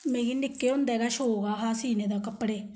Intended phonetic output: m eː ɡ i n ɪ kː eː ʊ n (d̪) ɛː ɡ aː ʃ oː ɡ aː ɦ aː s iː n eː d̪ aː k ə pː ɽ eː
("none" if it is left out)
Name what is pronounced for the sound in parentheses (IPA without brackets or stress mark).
d̪